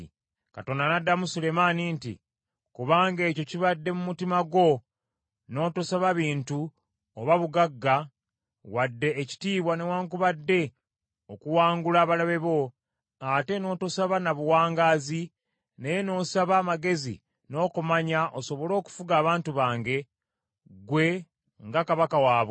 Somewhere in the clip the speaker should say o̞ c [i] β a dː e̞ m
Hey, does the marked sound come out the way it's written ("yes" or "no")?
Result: yes